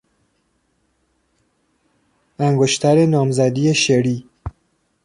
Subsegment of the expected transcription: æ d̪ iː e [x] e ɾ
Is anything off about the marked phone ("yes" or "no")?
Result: yes